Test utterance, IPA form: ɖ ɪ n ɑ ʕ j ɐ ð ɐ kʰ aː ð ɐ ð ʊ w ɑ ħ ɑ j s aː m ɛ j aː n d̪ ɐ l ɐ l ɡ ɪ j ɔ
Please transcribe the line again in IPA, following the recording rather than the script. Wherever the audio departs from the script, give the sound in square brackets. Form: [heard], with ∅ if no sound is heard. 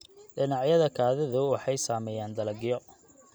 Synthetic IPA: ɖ ɪ n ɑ ʕ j ɐ ð ɐ kʰ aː ð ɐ ð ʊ w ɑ ħ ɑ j s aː m ɛ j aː n d̪ ɐ l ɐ [∅] ɡ ɪ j ɔ